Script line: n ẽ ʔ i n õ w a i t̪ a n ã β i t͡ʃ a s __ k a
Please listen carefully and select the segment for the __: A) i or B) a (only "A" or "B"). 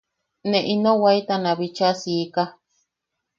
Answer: A